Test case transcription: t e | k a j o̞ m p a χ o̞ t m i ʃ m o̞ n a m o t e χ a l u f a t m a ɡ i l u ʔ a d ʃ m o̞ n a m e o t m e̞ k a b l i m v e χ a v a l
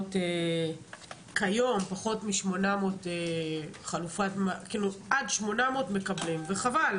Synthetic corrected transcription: t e | k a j o̞ m p a χ o̞ t m i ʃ m o̞ n a m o t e χ a l u f a t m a k i l u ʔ a d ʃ m o̞ n a m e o t m e̞ k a b l i m v e χ a v a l